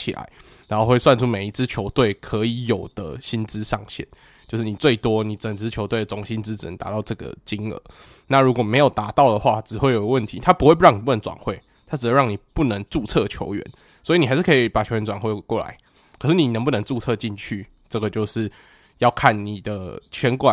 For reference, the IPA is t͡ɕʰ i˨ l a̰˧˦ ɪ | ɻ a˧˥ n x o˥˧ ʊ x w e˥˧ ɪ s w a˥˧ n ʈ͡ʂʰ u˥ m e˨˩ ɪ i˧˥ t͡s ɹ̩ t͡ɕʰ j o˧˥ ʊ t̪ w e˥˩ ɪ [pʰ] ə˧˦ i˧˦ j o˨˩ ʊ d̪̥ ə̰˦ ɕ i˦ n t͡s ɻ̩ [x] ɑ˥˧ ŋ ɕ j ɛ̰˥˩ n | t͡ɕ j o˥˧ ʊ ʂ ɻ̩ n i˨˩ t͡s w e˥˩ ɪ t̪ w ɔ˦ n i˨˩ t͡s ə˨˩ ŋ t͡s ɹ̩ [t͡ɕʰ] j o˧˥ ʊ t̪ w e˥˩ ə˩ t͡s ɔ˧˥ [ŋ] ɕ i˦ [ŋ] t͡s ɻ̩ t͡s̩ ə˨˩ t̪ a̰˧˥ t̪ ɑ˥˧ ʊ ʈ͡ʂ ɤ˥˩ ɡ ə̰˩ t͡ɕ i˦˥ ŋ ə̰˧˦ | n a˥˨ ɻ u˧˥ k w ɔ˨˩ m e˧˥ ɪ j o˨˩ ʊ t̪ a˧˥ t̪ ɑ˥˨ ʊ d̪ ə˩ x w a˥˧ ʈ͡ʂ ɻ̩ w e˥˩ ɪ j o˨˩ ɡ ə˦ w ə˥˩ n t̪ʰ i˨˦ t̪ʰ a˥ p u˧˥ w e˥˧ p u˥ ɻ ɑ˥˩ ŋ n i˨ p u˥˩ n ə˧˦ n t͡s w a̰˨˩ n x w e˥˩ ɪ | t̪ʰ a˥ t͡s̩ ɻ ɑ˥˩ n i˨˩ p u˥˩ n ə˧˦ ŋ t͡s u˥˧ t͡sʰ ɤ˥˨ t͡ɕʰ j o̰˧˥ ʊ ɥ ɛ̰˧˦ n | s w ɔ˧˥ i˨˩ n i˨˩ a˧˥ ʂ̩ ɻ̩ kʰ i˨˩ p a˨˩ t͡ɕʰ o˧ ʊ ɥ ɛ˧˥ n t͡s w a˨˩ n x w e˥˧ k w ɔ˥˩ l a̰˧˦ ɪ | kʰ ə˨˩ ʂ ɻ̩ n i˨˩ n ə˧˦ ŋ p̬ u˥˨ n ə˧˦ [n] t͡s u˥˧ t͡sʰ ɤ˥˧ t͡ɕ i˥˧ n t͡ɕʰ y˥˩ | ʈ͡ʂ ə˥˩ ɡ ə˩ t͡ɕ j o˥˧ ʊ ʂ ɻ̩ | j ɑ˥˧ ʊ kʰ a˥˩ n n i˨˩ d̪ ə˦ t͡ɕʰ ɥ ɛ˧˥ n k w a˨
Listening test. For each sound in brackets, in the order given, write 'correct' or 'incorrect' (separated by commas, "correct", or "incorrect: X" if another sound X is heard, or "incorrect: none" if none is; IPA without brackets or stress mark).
incorrect: kʰ, incorrect: ʂ, correct, correct, incorrect: n, incorrect: ŋ